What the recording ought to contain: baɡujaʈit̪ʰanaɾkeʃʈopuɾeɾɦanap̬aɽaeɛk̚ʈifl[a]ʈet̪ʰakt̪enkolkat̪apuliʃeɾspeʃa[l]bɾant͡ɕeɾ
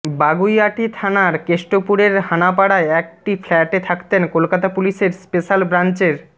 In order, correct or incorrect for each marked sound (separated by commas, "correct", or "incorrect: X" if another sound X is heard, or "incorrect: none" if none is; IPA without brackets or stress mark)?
incorrect: ɛ, correct